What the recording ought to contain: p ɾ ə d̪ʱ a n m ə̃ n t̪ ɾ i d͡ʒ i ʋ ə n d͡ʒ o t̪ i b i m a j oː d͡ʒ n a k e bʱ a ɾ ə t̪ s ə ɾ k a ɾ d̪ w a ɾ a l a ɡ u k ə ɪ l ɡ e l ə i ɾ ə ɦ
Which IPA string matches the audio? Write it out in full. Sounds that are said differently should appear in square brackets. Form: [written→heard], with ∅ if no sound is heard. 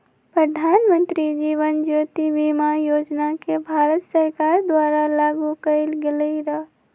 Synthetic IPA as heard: p ɾ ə d̪ʱ a n m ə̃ n t̪ ɾ i d͡ʒ i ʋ ə n d͡ʒ o t̪ i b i m a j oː d͡ʒ n a k e bʱ a ɾ ə t̪ s ə ɾ k a ɾ d̪ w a ɾ a l a ɡ u k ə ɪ l ɡ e l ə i ɾ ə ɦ